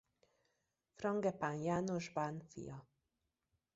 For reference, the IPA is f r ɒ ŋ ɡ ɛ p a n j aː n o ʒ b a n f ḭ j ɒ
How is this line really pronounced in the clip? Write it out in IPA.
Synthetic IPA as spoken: f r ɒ ŋ ɡ ɛ p a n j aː n o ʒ b a n f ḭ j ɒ